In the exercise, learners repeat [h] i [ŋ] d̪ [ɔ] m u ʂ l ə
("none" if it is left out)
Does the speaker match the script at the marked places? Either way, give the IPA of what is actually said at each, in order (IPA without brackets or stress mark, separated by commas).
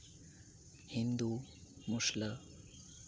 h, n, u